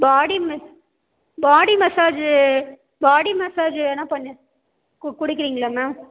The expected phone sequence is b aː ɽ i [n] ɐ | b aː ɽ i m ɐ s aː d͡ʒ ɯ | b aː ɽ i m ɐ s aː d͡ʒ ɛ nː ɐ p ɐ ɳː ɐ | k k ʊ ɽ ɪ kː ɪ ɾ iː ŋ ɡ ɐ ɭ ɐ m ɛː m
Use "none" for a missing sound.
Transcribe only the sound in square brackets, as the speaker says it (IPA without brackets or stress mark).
m